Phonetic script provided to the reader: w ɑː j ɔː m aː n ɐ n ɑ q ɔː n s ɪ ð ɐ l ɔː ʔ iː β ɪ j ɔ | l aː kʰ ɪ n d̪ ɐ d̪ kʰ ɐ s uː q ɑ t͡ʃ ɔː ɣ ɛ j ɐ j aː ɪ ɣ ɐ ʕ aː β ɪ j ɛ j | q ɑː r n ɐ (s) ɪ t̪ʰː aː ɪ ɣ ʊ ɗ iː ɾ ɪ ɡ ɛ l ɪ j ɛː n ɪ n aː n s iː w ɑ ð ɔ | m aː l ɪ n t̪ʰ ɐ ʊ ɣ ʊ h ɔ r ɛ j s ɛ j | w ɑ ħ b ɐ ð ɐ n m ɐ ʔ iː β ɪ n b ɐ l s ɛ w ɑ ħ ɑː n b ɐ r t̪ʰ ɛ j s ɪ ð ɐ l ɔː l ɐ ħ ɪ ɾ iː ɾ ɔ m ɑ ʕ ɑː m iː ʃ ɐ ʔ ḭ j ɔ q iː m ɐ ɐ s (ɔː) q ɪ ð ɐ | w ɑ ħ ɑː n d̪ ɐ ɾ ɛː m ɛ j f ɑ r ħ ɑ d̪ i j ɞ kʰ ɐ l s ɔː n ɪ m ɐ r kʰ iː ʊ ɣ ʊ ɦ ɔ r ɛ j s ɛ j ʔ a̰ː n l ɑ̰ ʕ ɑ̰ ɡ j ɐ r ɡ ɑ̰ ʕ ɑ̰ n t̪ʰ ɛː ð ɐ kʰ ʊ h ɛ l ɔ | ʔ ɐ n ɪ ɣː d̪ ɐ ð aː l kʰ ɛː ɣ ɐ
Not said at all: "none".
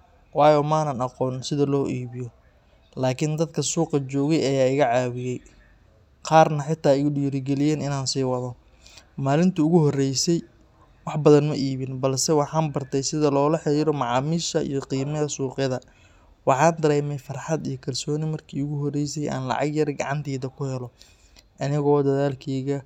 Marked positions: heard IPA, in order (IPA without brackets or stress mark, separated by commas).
ħ, uː